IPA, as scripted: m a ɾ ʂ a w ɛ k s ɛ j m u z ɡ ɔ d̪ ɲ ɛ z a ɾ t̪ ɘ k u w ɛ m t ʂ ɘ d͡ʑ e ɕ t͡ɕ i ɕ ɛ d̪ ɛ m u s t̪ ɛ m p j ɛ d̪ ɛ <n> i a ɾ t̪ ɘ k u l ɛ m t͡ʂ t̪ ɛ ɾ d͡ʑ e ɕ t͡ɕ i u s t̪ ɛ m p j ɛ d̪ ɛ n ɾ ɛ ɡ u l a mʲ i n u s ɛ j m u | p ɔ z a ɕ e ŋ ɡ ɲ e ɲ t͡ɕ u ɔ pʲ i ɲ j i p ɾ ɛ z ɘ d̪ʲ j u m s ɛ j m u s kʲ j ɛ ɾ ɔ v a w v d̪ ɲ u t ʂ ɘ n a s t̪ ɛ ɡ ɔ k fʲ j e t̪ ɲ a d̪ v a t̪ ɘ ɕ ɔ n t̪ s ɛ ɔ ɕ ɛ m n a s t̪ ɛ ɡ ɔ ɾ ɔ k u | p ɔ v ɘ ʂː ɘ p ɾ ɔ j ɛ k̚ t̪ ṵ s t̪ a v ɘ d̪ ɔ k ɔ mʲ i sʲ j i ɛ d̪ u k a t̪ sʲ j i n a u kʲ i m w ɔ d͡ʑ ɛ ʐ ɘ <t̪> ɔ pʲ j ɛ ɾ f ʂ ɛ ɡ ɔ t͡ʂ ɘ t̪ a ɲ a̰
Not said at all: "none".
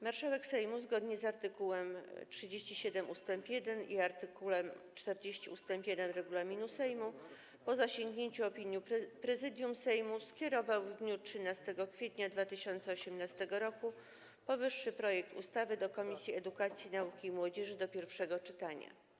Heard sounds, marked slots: n, d̪

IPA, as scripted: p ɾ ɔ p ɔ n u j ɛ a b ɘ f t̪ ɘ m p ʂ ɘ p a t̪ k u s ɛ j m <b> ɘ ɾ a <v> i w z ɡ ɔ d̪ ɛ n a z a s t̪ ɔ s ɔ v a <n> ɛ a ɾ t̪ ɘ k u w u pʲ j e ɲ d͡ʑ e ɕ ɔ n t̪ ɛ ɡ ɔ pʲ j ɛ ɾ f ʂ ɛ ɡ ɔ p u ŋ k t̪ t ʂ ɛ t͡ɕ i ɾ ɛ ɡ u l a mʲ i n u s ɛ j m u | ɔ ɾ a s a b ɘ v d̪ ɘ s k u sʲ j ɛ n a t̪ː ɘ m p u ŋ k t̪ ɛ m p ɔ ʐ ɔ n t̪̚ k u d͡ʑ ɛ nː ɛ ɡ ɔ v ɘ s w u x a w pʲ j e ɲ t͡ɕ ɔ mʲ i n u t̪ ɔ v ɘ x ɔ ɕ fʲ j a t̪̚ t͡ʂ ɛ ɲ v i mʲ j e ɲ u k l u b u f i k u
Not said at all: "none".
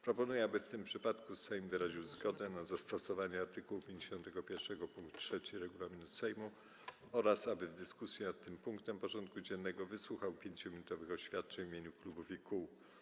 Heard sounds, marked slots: v, ʑ, ɲ

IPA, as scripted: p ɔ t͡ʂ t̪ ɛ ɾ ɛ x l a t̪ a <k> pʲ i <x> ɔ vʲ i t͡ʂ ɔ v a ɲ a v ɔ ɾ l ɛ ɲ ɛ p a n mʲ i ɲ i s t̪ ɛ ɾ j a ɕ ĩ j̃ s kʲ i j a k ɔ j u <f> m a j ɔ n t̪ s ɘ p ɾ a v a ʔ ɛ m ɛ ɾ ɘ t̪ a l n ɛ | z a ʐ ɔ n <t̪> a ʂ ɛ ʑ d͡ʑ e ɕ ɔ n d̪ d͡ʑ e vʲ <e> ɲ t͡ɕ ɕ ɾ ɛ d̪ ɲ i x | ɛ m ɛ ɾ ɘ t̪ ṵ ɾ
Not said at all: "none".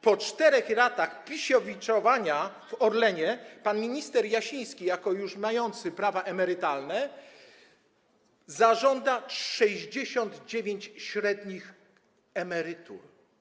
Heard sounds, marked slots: x, ɕ, ʂ, d̪, e

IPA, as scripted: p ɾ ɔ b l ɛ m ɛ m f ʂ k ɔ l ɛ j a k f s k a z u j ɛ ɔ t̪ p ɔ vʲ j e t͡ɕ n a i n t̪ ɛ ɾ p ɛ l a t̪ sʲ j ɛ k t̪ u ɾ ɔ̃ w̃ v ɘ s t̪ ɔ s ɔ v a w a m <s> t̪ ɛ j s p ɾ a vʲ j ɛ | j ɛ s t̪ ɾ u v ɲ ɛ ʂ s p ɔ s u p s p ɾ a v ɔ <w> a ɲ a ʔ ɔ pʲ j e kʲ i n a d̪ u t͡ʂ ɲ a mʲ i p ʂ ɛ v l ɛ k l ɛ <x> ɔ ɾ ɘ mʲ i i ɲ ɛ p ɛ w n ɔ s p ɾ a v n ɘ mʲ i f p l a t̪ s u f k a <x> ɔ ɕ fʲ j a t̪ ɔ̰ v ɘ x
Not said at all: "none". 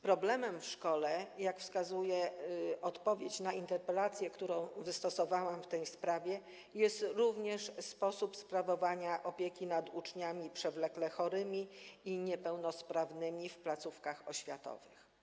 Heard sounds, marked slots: f, v, x, x

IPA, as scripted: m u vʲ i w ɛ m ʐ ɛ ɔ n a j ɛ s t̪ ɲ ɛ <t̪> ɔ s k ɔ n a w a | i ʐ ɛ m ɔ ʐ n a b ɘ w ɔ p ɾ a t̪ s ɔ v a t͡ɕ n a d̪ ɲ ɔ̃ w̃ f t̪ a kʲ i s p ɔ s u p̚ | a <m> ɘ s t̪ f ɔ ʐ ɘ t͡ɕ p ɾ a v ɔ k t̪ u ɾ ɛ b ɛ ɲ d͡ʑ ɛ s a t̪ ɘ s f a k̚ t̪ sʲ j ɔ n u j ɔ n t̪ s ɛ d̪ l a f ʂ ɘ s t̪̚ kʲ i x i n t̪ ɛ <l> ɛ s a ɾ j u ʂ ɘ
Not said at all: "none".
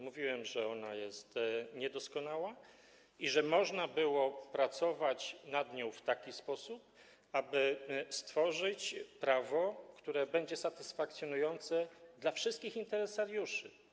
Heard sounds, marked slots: d̪, b, ɾ

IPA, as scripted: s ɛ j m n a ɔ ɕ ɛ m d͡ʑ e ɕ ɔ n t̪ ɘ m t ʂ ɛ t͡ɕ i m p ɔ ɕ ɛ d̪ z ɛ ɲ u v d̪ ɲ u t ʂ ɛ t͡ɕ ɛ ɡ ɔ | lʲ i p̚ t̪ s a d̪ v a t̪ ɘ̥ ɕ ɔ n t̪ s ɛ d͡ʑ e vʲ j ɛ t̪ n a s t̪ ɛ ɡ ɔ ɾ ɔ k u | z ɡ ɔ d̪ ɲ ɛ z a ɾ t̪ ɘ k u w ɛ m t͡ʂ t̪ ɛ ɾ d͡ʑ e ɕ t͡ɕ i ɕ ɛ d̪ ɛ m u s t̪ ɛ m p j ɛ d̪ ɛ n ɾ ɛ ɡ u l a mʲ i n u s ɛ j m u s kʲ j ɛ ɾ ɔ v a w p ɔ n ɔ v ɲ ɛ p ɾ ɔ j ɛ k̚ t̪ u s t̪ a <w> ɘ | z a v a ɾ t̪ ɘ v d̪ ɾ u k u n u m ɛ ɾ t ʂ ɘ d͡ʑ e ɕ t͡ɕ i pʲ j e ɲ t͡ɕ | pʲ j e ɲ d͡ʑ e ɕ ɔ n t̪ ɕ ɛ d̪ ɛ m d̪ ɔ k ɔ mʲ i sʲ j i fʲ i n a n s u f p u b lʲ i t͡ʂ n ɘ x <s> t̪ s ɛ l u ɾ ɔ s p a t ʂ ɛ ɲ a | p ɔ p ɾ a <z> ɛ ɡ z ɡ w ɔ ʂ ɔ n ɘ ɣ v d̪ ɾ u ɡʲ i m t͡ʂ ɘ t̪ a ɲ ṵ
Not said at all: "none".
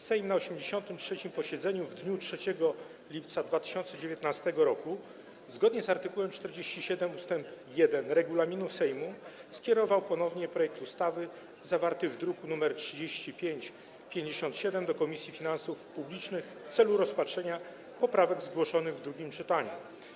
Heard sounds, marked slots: v, f, v

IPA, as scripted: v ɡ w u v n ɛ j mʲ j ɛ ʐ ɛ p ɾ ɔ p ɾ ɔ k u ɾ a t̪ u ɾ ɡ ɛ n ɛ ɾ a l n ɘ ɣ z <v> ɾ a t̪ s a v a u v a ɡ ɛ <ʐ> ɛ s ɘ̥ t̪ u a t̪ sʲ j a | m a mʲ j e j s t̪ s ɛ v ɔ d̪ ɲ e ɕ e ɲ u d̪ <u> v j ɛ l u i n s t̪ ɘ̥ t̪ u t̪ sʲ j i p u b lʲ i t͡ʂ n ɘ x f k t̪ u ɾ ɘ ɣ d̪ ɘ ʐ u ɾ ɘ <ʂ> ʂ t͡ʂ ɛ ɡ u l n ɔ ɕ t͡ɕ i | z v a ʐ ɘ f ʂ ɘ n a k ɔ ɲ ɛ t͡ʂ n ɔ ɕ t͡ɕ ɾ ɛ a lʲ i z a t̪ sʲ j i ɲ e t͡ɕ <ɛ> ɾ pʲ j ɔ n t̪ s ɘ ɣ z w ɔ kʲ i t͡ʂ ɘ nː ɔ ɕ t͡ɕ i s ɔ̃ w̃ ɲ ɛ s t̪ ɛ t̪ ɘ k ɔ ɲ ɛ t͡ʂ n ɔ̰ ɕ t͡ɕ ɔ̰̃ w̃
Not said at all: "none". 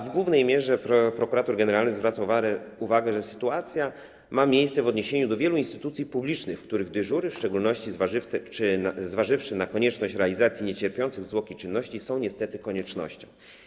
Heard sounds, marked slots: v, ʐ, ɔ, f, ɛ

